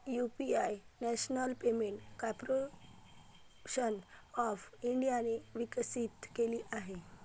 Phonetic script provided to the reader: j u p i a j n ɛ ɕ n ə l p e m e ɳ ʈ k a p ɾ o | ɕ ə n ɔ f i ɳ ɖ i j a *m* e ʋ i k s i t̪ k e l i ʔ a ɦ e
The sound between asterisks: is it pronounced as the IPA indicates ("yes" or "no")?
no